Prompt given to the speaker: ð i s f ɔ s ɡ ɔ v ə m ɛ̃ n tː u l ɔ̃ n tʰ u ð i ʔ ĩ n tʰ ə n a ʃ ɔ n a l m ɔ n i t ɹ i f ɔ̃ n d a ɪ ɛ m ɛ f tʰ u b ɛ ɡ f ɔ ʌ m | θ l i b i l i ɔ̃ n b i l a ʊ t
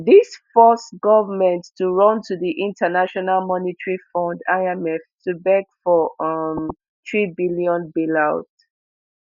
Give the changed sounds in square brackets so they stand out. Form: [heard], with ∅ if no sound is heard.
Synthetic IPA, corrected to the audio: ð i s f ɔ s ɡ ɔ v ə m ɛ̃ n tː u [ɹ] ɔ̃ n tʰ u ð i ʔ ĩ n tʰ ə n a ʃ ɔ n a l m ɔ n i t ɹ i f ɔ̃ n d a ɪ ɛ m ɛ f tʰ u b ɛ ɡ f ɔ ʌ m | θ [ɹ] i b i l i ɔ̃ n b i l a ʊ t